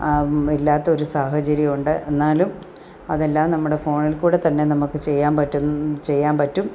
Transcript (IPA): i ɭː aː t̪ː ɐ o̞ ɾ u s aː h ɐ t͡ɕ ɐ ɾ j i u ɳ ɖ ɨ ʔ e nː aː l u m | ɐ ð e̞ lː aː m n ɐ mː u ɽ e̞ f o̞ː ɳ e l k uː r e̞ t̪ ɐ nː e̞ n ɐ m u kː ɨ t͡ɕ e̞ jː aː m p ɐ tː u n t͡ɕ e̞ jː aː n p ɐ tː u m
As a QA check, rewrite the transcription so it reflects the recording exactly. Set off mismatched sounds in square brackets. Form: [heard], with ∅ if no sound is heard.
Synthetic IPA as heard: i [lː] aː t̪ː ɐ o̞ ɾ u s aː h ɐ t͡ɕ ɐ ɾ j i u ɳ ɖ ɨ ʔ e nː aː l u m | ɐ ð e̞ lː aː m n ɐ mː u ɽ e̞ f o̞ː ɳ [i] l k uː [ɽ] e̞ t̪ ɐ nː e̞ n ɐ m u kː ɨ t͡ɕ e̞ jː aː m p ɐ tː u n t͡ɕ e̞ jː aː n p ɐ tː u m